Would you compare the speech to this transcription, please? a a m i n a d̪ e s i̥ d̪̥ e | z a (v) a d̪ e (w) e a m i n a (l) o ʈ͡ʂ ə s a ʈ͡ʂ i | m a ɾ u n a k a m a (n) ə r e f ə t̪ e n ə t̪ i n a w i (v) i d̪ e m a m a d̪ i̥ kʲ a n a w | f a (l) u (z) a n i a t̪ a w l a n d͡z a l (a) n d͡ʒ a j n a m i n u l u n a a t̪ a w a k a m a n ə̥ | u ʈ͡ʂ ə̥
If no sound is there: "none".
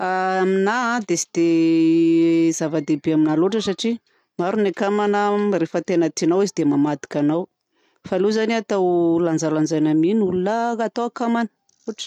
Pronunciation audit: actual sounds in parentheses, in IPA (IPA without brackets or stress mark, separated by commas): v, b, l, n, z, l, z, a